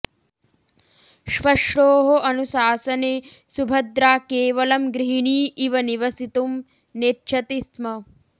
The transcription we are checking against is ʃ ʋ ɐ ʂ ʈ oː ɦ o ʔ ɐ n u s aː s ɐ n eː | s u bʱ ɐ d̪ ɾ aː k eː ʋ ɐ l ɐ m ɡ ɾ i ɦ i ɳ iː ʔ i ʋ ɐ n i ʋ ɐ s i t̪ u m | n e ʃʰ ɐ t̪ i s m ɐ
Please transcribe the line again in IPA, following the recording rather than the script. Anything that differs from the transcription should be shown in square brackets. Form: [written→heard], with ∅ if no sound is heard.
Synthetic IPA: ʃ ʋ ɐ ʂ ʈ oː ɦ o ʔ ɐ n u s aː s ɐ n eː | s u bʱ ɐ d̪ ɾ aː k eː ʋ ɐ l ɐ m ɡ ɾ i ɦ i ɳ iː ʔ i ʋ ɐ n i ʋ ɐ s i t̪ u m | n e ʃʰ ɐ t̪ i s m ɐ